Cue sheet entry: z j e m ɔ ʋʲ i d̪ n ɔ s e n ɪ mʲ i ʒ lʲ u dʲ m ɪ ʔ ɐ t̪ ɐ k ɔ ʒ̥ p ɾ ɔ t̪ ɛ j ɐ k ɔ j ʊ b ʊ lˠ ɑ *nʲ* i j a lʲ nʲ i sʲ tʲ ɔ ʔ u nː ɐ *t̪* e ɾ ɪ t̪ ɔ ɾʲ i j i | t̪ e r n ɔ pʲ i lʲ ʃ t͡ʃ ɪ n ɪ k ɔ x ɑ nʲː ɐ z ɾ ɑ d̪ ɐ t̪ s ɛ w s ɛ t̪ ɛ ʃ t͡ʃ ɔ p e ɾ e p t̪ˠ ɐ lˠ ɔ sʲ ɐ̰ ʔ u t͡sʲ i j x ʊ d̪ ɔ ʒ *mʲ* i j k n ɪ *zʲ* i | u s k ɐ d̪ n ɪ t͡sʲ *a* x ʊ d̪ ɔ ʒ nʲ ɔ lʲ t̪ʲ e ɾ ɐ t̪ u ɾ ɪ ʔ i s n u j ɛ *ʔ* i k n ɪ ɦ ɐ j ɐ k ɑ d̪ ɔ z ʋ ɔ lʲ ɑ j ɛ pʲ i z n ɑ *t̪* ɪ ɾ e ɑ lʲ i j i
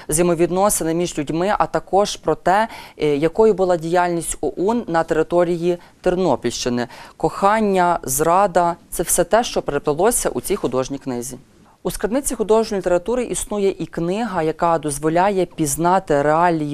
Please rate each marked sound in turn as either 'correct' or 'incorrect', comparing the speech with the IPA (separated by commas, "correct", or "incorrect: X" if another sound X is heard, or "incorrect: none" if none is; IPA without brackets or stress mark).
incorrect: dʲ, correct, incorrect: nʲ, correct, incorrect: i, correct, correct